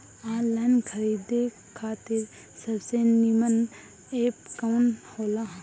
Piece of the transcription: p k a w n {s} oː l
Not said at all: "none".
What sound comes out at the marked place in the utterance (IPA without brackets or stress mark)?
h